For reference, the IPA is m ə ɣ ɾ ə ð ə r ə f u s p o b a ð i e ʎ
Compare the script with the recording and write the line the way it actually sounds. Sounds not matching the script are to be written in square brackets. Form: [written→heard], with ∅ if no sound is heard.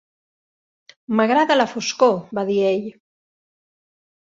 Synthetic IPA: m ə ɣ ɾ [ə→a] ð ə [r→l] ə f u s [p→k] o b a ð i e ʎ